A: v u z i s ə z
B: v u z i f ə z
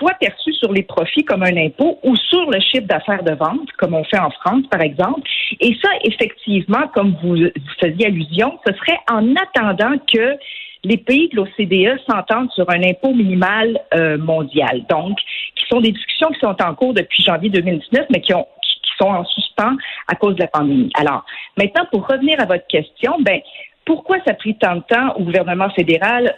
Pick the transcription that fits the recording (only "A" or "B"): B